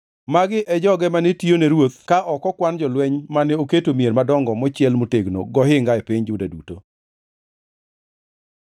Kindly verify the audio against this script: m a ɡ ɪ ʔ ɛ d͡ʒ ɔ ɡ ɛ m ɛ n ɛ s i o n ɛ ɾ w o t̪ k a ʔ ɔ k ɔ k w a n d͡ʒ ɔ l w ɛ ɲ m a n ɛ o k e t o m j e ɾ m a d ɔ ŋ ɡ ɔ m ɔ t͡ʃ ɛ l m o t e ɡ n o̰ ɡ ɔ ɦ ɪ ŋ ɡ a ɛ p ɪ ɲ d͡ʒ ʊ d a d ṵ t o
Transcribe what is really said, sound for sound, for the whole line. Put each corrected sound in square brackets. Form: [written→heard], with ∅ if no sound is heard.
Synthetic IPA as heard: m a ɡ ɪ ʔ ɛ d͡ʒ ɔ ɡ ɛ m [ɛ→a] n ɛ [s→t] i o n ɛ ɾ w o t̪ k a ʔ ɔ k ɔ k w a n d͡ʒ ɔ l w ɛ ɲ m a n ɛ o k e t o m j e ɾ m a d ɔ ŋ ɡ ɔ m ɔ t͡ʃ ɛ l m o t e ɡ n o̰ ɡ ɔ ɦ ɪ ŋ ɡ a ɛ p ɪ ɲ d͡ʒ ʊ d a d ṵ t o